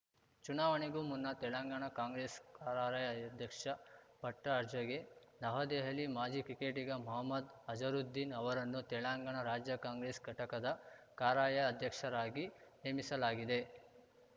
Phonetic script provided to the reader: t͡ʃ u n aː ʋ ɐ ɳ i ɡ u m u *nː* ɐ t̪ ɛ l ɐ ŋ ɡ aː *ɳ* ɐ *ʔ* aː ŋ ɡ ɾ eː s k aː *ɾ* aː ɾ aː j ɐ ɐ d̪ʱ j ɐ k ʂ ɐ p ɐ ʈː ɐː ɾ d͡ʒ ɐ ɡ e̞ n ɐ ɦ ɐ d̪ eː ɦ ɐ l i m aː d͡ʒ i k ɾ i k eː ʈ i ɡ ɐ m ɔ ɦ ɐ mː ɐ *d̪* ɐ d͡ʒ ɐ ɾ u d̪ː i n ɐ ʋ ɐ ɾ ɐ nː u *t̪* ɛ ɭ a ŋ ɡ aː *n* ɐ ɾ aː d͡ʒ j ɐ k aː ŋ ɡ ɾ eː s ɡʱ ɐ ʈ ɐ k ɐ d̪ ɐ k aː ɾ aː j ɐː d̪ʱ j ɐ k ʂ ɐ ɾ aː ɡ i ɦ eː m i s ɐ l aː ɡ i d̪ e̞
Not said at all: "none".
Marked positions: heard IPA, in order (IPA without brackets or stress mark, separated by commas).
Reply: nː, ɳ, k, ɾ, d̪, t̪, ɳ